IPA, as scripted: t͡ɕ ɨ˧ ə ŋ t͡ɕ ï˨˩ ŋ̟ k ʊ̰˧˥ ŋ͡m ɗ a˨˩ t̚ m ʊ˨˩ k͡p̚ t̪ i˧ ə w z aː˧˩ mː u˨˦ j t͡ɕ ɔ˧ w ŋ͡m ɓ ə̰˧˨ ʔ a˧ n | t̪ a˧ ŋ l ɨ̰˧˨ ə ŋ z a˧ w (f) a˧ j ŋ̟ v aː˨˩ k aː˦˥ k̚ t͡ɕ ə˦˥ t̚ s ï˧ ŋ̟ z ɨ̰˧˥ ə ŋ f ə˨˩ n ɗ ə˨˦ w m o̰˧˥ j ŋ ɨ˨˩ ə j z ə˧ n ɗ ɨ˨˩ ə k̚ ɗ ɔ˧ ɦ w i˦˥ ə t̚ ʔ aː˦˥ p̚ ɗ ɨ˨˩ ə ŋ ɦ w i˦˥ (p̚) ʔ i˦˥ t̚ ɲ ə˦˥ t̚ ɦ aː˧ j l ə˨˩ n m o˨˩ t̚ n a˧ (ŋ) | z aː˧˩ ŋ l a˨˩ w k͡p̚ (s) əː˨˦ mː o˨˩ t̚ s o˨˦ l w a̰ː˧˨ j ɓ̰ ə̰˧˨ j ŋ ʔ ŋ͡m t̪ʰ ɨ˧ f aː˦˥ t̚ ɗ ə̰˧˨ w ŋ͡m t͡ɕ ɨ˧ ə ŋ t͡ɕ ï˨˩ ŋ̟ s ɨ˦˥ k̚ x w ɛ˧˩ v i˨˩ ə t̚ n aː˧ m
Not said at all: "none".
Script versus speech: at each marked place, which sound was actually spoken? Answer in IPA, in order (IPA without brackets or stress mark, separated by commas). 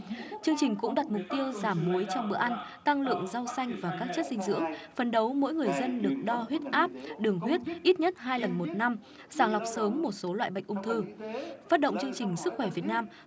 s, t̚, m, s